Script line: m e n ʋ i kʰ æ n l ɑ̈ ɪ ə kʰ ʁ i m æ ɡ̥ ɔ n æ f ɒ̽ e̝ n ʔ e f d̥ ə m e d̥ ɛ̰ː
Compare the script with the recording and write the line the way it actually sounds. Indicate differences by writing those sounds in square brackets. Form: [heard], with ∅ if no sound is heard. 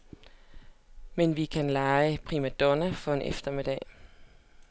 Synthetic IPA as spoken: m e n ʋ i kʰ æ n l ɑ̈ ɪ ə [pʰ] ʁ i m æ [d̥] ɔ n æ f ɒ̽ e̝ n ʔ e f d̥ [ɐ] m e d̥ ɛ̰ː